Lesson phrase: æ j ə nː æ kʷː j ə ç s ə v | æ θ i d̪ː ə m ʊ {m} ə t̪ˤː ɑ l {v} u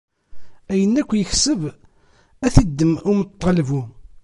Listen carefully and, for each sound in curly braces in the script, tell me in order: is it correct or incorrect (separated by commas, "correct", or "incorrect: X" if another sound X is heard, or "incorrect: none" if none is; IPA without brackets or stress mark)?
correct, correct